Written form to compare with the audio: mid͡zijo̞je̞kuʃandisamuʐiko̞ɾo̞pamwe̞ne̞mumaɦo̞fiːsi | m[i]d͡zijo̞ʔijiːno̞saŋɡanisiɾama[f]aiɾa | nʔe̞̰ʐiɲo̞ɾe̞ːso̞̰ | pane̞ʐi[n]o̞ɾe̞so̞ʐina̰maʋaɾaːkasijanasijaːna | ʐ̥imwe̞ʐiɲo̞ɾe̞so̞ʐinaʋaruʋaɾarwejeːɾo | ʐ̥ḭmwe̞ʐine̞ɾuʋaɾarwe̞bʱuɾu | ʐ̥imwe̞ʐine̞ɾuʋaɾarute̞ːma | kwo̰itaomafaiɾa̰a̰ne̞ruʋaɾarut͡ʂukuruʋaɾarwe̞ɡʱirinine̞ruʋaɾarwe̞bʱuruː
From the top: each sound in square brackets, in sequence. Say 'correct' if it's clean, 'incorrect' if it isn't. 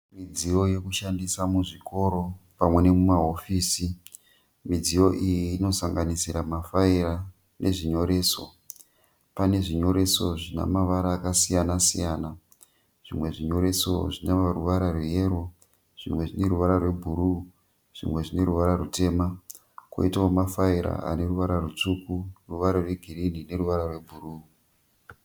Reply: correct, correct, incorrect

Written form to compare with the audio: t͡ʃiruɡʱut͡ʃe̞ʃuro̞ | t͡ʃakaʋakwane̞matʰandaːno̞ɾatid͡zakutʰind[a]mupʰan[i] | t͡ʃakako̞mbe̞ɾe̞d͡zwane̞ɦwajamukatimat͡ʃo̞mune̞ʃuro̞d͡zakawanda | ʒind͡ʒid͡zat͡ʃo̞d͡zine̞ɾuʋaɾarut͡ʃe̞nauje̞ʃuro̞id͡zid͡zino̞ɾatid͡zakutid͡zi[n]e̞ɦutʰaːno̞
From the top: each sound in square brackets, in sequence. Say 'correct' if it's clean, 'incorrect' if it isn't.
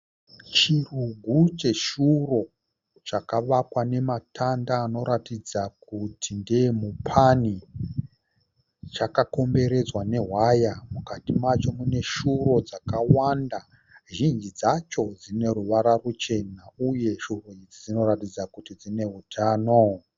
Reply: incorrect, correct, correct

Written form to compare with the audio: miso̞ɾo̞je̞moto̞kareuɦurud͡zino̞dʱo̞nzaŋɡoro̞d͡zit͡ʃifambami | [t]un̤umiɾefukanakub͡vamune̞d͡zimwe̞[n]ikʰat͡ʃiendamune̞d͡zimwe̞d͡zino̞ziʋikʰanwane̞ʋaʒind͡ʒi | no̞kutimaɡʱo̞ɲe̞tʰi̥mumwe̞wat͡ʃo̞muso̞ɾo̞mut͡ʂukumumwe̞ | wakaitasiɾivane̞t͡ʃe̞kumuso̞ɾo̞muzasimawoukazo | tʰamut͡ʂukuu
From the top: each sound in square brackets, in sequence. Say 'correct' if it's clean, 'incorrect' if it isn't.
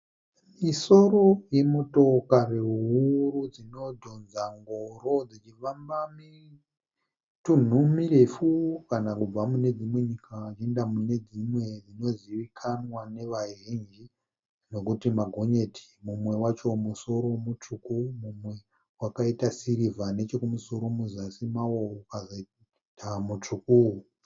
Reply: correct, incorrect

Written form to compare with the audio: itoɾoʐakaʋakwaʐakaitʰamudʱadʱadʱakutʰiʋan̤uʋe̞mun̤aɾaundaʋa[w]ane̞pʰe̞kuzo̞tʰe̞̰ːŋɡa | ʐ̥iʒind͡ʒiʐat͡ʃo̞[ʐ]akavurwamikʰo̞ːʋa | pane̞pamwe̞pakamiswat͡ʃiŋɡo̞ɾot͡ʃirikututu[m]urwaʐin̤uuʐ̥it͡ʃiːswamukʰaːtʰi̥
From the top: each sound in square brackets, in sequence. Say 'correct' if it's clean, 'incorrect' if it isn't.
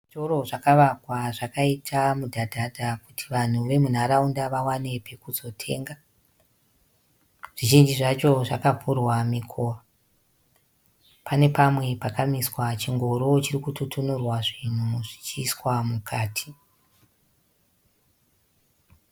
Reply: correct, correct, incorrect

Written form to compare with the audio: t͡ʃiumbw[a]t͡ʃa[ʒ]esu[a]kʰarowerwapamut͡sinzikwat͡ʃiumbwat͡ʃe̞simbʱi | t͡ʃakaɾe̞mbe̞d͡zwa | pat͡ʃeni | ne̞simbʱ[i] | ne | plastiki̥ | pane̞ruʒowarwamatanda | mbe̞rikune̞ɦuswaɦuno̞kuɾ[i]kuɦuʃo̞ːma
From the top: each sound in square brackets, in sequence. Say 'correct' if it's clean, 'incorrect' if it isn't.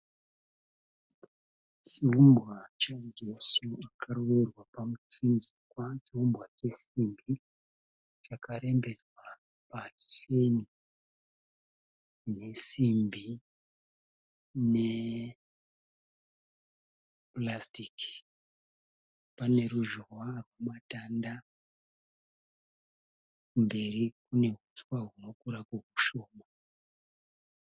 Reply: correct, incorrect, correct, correct, incorrect

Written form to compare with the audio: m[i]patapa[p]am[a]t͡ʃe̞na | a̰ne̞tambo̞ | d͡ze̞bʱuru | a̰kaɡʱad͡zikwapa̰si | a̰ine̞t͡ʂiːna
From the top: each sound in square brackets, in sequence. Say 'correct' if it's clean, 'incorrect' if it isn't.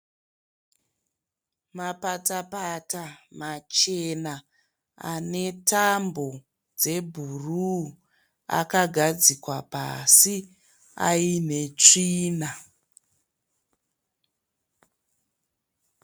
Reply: incorrect, incorrect, correct

